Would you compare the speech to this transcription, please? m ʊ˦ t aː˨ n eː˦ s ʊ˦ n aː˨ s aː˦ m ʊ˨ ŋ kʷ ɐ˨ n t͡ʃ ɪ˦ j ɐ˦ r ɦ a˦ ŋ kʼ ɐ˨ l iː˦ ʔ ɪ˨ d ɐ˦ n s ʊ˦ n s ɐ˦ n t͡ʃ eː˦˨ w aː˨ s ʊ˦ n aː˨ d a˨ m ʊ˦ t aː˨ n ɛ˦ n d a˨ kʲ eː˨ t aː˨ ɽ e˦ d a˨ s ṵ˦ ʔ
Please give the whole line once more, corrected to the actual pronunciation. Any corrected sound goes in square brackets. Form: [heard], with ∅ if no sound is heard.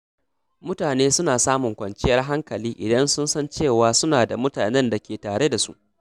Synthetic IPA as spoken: m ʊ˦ t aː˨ n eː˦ s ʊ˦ n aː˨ s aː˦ m ʊ˨ ŋ kʷ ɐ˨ n t͡ʃ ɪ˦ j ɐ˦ r ɦ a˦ ŋ [k] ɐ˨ l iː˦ ʔ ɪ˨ d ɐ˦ n s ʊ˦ n s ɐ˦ n t͡ʃ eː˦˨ w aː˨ s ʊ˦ n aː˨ d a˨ m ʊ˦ t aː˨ n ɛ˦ n d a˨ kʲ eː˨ t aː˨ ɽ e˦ d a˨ s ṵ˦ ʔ